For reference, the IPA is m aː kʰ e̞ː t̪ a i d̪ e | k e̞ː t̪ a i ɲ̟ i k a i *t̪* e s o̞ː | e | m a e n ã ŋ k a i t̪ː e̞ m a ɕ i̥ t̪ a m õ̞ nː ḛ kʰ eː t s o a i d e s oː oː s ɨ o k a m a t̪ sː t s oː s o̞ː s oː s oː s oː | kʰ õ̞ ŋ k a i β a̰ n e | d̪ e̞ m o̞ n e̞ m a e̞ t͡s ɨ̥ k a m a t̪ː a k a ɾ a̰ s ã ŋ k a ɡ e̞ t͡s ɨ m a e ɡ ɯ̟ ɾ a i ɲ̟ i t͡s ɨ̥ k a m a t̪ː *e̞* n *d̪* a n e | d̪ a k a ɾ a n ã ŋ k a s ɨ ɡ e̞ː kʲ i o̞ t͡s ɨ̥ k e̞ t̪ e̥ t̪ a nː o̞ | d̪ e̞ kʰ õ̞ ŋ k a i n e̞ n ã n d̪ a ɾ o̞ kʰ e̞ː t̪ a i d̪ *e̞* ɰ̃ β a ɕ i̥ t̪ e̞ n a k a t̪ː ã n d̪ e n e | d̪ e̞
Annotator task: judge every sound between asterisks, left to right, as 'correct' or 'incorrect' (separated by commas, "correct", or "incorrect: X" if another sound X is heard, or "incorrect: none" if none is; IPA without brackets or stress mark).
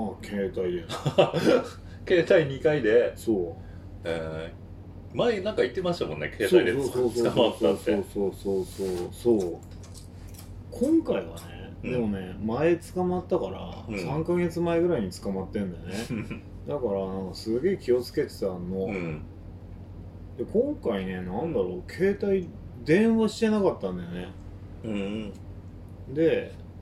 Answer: incorrect: d̪, incorrect: ẽ̞, correct, incorrect: ẽ̞